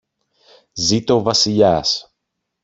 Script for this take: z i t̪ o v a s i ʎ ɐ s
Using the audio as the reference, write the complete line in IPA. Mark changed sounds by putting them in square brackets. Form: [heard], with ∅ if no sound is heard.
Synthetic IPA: z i t̪ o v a s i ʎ [a] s